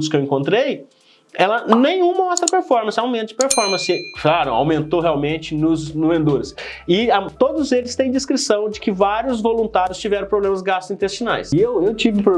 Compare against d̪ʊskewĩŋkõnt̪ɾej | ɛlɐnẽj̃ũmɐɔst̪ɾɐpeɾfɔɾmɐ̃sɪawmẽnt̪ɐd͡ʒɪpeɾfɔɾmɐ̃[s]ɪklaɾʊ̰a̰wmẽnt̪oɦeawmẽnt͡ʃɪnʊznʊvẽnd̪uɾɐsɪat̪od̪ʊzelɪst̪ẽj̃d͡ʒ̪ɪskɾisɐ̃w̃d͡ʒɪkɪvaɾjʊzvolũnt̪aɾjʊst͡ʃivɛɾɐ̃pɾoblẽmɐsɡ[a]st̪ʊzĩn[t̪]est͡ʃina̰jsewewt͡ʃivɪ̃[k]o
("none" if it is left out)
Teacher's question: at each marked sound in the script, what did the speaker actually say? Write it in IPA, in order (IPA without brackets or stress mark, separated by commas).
s, a, t̪, p